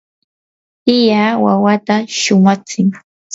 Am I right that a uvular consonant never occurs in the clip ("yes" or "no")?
yes